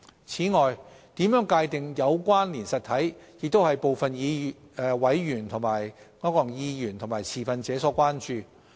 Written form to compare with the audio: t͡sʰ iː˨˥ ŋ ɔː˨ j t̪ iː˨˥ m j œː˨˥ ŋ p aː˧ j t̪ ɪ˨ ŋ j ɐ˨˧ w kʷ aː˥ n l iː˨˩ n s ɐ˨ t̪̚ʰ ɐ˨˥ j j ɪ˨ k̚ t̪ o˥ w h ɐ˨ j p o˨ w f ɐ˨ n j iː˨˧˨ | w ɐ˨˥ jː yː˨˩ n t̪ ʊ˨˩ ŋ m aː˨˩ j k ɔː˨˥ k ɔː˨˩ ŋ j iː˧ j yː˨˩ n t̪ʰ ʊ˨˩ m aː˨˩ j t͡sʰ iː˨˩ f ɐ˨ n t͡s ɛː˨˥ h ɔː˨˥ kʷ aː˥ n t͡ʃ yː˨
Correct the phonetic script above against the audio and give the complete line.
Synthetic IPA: t͡sʰ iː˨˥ ŋ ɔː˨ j t̪ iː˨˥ m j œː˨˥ ŋ k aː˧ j t̪ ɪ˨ ŋ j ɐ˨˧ w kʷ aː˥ n l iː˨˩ n s ɐ˨ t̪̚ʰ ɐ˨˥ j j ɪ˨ k̚ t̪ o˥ w h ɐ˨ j p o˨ w f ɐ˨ n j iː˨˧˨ | w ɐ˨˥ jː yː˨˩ n t̪ʰ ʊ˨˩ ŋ m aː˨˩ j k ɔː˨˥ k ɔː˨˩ ŋ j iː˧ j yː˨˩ n t̪ʰ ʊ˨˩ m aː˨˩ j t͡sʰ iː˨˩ f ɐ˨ n t͡s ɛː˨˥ s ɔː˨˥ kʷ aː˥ n t͡ʃ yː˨

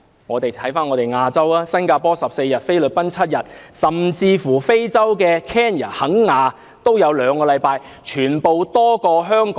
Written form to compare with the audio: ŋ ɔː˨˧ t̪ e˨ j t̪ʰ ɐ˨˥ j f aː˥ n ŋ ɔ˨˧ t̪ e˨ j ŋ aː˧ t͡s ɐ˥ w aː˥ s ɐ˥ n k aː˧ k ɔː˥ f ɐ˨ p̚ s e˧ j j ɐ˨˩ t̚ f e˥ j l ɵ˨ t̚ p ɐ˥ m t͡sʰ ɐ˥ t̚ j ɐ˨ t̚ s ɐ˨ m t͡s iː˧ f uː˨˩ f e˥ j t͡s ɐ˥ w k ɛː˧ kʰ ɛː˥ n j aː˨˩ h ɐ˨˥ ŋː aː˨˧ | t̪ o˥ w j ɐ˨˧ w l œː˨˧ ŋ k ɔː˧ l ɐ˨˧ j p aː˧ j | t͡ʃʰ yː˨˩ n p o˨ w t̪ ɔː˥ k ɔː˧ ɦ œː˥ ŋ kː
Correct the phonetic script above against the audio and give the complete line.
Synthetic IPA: ŋ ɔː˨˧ t̪ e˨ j t̪ʰ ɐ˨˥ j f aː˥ n ŋ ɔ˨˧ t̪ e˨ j ŋ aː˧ t͡s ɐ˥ w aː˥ s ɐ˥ n k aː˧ p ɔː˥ s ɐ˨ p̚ s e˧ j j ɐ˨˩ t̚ f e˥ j l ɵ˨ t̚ p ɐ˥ n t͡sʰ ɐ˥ t̚ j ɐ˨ t̚ s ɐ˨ m t͡s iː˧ f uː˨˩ f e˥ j t͡s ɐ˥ w k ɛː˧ kʰ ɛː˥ n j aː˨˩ h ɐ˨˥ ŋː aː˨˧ | t̪ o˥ w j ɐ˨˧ w l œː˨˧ ŋ k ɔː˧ l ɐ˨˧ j p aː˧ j | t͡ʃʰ yː˨˩ n p o˨ w t̪ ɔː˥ k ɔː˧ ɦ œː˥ ŋ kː

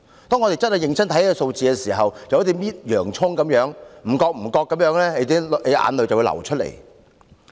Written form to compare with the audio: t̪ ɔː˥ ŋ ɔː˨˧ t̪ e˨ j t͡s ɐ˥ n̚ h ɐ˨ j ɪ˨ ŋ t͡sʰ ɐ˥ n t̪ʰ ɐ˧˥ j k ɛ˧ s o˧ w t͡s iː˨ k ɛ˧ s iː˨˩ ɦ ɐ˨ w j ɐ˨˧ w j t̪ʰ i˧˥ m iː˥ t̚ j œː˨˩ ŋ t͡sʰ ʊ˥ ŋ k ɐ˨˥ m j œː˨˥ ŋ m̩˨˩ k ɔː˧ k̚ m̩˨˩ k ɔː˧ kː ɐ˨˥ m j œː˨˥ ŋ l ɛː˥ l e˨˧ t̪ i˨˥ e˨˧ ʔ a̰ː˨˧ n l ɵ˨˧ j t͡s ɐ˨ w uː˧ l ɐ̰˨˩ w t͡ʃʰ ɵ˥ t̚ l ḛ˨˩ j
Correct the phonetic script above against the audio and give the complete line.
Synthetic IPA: t̪ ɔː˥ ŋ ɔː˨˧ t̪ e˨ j t͡s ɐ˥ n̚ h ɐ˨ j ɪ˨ ŋ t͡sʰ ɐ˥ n t̪ʰ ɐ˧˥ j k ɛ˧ s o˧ w t͡s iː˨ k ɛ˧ s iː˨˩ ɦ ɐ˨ w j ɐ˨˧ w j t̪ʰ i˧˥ m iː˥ t̚ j œː˨˩ ŋ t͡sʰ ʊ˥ ŋ k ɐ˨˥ m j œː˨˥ ŋ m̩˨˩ k ɔː˧ k̚ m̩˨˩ k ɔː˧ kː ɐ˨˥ m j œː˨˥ ŋ l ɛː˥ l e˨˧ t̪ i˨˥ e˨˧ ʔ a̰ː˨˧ n l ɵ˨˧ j t͡s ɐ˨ w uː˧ l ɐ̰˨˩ w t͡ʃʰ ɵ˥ t̚ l ḛ˨˩ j

